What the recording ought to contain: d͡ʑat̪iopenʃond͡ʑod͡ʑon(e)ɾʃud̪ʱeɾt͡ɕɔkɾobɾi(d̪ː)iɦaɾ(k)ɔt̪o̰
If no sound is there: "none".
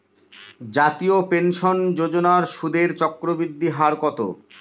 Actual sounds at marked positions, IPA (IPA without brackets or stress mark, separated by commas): a, d̪ː, k